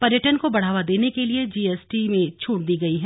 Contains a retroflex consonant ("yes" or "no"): yes